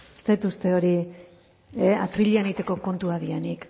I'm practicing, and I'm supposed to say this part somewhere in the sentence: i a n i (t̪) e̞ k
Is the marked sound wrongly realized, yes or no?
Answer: no